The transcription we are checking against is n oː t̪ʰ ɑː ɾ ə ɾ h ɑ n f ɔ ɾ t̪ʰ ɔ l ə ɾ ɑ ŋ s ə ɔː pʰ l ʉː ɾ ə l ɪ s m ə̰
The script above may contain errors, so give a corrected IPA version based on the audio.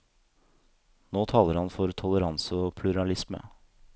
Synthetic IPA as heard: n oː t̪ʰ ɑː l ə ɾ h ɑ n f ɔ ɾ t̪ʰ ɔ l ə ɾ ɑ n s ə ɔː pʰ l ʉ ɾ ɑ l ɪ s m ə̰